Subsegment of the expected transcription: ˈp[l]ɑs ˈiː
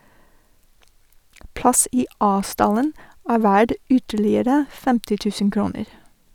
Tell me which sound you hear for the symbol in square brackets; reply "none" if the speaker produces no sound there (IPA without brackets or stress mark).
l